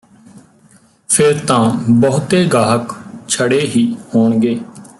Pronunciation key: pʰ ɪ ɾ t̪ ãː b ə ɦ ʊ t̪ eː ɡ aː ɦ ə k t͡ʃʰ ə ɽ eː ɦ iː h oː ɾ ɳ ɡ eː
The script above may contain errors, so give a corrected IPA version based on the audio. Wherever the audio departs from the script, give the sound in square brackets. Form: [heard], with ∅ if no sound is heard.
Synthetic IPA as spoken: pʰ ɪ ɾ t̪ ãː b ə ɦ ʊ t̪ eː ɡ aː ɦ ə k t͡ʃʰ ə ɽ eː ɦ iː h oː [∅] ɳ ɡ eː